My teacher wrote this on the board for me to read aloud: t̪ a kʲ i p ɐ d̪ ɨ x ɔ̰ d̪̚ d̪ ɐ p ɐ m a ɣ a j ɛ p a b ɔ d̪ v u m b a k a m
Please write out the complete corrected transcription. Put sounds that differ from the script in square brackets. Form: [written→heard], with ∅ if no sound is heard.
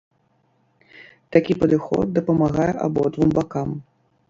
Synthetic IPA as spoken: t̪ a kʲ i p ɐ d̪ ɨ x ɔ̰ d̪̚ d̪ ɐ p ɐ m a ɣ a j ɛ [p→ʔ] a b ɔ d̪ v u m b a k a m